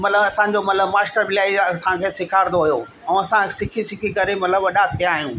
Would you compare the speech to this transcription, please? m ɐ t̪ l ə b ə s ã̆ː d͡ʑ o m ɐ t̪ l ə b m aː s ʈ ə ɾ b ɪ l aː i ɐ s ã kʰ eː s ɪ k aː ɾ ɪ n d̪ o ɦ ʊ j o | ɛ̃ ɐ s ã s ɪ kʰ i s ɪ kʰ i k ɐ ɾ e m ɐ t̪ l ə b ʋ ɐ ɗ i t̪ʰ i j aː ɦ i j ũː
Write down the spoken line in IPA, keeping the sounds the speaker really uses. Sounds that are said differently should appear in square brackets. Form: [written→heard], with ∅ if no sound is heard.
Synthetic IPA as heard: m ɐ t̪ l ə b [ə→ɐ] s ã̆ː d͡ʑ o m ɐ t̪ l ə b m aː s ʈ ə ɾ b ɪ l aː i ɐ s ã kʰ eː s ɪ [k→kʰ] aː ɾ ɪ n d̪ o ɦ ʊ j o | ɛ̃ ɐ s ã s ɪ kʰ i s ɪ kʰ i k ɐ ɾ e m ɐ t̪ l ə b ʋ ɐ ɗ [i→a] t̪ʰ i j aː ɦ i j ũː